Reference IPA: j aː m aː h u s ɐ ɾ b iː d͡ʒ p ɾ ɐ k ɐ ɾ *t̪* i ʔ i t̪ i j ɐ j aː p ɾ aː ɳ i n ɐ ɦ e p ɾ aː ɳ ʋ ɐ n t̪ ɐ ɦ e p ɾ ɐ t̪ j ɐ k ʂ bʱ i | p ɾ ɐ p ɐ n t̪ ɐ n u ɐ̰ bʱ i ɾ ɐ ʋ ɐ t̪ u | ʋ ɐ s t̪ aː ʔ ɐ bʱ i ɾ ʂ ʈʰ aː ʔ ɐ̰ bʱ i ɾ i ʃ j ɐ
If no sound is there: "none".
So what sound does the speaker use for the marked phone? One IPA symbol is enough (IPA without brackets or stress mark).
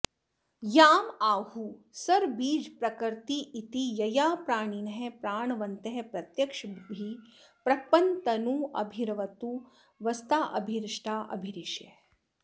t̪